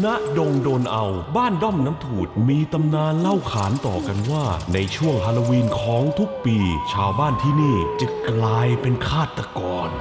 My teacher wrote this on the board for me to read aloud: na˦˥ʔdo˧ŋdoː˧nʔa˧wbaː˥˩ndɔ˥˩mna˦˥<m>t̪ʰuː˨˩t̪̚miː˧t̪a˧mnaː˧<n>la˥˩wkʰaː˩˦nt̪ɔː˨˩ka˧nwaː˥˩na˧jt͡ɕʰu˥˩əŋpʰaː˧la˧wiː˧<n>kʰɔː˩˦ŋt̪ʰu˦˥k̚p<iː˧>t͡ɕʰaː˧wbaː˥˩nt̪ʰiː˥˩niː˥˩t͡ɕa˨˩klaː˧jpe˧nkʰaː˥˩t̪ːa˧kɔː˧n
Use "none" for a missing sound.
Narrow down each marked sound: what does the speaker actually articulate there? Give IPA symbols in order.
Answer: m, n, n, iː˧

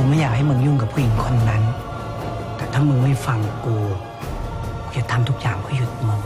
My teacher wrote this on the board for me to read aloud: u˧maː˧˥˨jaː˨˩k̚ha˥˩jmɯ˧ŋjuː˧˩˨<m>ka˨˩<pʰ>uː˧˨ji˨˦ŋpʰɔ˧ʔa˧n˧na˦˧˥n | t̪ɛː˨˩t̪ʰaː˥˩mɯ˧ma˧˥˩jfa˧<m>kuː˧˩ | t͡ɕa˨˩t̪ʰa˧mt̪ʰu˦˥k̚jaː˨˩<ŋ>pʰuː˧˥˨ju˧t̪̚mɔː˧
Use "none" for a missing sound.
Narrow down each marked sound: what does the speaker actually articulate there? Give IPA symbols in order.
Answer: ŋ, pʰ, ŋ, ŋ

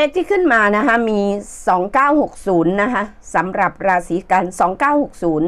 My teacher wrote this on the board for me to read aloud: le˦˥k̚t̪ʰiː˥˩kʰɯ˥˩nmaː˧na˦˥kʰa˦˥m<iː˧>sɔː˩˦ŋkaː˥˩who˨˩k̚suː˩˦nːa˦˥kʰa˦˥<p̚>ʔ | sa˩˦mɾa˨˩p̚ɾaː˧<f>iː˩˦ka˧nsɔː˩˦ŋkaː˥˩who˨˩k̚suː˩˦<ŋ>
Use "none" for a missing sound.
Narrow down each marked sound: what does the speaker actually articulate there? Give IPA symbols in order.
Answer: iː˧, none, s, n

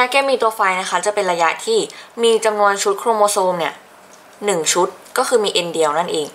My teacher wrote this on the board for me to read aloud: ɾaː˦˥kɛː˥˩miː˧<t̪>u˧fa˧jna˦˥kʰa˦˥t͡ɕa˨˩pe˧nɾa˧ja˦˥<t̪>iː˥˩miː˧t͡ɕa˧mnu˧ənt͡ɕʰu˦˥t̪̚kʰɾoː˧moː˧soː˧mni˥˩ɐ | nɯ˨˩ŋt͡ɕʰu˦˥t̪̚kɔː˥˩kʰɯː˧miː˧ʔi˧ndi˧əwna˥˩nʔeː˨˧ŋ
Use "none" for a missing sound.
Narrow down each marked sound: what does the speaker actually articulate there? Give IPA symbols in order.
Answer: t̪, t̪ʰ

